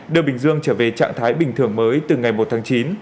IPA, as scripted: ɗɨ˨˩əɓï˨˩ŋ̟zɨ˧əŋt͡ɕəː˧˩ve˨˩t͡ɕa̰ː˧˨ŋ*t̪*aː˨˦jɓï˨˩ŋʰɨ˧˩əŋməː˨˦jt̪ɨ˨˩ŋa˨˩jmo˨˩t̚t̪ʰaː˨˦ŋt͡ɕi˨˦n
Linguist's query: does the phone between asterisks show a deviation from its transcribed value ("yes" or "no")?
yes